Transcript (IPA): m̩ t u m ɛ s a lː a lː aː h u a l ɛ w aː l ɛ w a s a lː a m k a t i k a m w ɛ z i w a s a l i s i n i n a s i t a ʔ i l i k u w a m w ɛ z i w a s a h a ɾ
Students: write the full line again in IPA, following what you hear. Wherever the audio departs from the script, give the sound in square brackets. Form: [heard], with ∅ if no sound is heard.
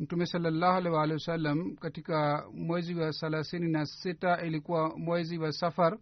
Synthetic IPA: m̩ t u m ɛ s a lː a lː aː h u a l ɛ w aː l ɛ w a s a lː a m k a t i k a m w ɛ z i w a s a l [a] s i n i n a s i t a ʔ i l i k u w a m w ɛ z i w a s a [f] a ɾ